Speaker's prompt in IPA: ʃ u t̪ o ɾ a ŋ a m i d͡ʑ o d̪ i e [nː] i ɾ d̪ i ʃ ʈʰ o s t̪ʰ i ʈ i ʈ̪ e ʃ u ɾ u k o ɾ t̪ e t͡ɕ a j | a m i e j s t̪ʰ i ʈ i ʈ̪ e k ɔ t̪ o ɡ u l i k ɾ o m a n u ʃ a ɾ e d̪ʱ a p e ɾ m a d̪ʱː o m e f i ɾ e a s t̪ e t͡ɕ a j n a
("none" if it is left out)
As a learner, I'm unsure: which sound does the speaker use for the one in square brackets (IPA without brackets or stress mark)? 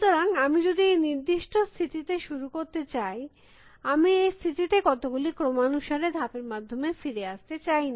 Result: n